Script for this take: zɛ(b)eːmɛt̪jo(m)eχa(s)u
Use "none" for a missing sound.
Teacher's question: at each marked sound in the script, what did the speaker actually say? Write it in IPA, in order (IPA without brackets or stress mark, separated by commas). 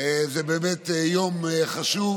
b, m, ʃ